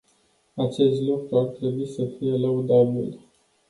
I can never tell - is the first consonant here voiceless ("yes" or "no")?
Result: yes